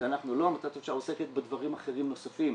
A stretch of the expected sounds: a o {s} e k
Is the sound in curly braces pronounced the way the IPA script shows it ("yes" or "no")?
yes